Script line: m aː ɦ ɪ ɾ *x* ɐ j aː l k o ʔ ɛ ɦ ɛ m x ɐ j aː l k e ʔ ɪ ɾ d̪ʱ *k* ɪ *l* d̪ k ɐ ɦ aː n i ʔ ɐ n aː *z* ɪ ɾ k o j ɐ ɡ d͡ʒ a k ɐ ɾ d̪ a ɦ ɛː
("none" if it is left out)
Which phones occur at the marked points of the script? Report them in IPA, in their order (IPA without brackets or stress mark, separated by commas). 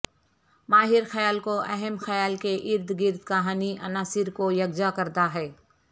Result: x, ɡ, ɾ, s